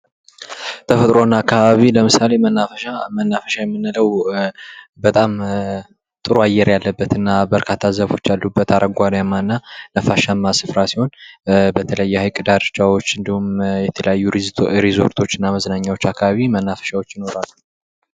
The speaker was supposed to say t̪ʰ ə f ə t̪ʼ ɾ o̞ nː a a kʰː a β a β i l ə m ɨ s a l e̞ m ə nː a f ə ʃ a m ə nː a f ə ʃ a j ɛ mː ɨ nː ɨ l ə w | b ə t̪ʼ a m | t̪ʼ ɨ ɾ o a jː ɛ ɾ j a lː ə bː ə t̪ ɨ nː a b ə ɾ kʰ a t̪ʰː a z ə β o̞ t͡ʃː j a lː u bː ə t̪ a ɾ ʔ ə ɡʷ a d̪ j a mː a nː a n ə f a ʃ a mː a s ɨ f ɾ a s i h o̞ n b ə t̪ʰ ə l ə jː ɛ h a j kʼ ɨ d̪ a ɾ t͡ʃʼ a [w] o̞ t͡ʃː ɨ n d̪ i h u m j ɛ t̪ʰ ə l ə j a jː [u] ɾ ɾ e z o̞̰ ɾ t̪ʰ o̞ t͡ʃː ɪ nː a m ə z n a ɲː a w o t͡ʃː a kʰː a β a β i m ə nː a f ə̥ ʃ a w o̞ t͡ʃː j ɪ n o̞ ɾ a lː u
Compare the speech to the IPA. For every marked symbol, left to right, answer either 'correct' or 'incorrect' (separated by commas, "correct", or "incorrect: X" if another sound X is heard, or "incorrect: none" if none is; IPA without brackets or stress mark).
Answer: correct, correct